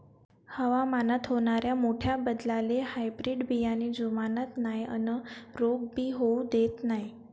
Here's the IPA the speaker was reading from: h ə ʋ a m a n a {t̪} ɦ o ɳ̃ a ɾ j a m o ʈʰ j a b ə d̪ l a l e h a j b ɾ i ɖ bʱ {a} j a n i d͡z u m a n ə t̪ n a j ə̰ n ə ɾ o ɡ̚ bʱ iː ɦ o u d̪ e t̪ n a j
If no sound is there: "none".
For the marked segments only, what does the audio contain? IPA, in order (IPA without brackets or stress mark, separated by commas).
t̪, i